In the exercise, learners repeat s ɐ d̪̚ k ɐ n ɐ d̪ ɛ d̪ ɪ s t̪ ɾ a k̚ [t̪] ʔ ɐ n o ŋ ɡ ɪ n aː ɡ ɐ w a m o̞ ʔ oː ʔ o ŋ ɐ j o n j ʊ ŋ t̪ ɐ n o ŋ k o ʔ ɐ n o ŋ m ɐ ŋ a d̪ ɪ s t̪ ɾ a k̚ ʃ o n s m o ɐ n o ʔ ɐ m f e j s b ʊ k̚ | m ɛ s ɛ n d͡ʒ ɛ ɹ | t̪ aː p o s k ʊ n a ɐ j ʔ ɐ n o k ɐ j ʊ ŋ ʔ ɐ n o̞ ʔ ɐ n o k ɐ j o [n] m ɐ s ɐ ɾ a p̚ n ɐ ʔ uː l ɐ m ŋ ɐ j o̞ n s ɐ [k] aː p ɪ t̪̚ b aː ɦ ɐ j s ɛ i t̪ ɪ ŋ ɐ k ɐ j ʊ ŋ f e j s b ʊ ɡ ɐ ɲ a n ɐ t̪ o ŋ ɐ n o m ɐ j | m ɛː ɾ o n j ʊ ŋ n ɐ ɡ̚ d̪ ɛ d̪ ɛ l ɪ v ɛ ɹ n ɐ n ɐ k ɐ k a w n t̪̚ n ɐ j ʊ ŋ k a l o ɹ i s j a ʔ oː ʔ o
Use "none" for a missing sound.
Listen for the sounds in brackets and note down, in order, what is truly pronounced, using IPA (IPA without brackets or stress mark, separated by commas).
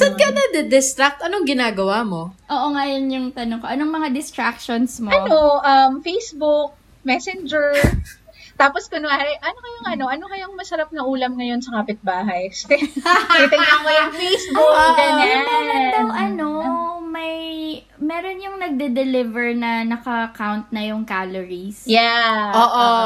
t̪, ŋ, k